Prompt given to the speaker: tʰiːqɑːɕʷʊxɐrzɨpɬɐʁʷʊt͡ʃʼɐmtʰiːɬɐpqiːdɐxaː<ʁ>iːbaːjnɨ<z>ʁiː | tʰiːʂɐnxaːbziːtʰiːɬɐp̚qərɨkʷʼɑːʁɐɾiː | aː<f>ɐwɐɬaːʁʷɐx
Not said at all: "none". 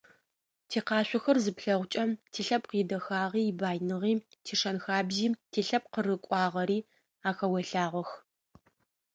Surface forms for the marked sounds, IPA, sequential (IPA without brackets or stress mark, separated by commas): ʁ, none, x